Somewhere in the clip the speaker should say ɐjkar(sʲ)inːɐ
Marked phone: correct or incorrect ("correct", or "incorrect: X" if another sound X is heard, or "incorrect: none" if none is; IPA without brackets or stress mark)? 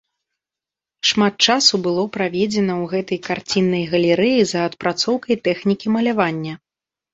incorrect: t͡sʲ